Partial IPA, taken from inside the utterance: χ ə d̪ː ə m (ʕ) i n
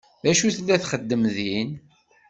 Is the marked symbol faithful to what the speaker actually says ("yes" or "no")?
no